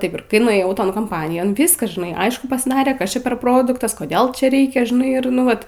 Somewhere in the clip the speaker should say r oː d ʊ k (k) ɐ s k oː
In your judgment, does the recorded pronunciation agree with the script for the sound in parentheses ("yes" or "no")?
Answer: no